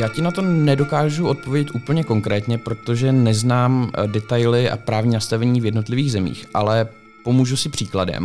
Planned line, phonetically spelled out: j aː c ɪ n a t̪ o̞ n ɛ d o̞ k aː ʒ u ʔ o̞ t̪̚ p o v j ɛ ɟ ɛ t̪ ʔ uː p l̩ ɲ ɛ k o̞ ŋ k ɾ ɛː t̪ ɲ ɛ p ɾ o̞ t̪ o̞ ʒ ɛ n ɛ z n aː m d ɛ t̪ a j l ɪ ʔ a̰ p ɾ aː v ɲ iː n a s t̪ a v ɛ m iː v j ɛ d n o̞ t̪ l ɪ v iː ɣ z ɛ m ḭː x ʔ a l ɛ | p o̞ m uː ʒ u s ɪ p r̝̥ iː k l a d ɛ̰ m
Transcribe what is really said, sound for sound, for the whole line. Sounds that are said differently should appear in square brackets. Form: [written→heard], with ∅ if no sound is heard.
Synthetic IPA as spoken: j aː c ɪ n a t̪ o̞ n ɛ d o̞ k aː ʒ u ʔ o̞ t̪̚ p o v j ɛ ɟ ɛ t̪ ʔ uː p l̩ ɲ ɛ k o̞ ŋ k ɾ ɛː t̪ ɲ ɛ p ɾ o̞ t̪ o̞ ʒ ɛ n ɛ z n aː m d ɛ t̪ a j l ɪ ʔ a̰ p ɾ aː v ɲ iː n a s t̪ a v ɛ [m→ɲ] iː v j ɛ d n o̞ t̪ l ɪ v iː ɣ z ɛ m ḭː x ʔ a l ɛ | p o̞ m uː ʒ u s ɪ p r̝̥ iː k l a d ɛ̰ m